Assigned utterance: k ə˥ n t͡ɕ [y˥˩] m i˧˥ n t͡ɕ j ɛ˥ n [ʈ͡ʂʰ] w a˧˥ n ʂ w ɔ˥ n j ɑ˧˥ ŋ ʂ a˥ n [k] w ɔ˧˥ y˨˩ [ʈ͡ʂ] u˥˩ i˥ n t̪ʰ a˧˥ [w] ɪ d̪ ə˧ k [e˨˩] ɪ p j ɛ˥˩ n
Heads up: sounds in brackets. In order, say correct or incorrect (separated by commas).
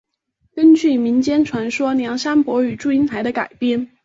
correct, correct, incorrect, correct, incorrect, incorrect